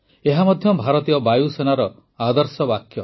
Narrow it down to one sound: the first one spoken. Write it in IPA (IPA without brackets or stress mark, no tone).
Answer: e